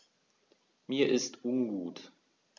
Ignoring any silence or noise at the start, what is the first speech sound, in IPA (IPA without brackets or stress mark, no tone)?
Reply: m